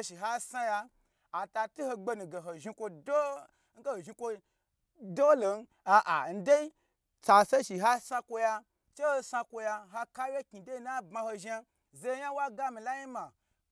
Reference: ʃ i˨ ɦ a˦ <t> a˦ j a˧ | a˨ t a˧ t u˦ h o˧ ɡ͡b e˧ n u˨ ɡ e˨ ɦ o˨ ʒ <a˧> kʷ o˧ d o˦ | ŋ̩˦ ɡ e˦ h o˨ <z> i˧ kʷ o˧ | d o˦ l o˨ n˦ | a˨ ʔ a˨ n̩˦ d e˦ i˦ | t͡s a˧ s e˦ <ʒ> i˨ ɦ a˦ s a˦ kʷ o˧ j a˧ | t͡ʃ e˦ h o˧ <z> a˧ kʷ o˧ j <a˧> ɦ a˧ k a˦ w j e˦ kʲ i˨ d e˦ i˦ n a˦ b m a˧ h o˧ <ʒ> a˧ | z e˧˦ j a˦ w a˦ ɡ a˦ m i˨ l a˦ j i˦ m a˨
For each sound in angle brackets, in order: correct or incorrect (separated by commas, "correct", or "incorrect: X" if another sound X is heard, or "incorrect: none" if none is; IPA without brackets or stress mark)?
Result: incorrect: s, incorrect: i˧, incorrect: ʒ, incorrect: ʃ, incorrect: s, correct, correct